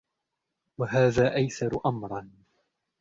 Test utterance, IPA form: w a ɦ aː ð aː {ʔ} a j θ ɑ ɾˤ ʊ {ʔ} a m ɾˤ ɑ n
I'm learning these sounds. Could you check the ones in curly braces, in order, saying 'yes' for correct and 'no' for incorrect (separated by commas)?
yes, yes